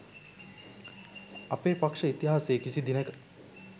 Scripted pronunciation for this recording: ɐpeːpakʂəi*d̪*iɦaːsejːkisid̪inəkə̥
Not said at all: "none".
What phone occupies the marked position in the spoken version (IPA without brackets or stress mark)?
t̪